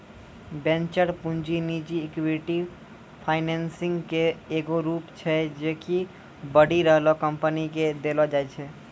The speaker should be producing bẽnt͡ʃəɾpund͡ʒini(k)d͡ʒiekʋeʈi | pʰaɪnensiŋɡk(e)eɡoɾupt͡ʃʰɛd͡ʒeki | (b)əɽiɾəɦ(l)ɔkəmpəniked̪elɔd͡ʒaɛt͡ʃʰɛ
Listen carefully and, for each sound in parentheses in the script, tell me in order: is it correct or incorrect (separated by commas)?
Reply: incorrect, correct, correct, correct